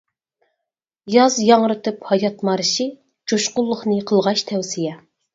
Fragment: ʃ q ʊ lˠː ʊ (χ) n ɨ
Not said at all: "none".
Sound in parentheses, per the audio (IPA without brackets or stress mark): χ